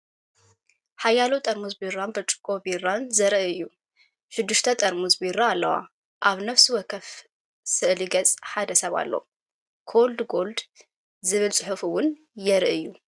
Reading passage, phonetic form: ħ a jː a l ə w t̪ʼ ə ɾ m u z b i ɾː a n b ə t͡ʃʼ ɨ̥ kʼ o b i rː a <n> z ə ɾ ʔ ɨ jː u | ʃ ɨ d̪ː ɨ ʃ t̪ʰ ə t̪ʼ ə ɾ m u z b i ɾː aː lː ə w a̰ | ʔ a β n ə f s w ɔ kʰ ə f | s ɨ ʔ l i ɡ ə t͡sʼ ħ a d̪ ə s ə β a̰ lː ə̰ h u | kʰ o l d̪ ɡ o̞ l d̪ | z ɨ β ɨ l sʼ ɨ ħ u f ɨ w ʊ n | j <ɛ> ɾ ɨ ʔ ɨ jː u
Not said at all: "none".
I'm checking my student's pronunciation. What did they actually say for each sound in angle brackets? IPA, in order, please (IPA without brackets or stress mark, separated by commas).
n, ɛ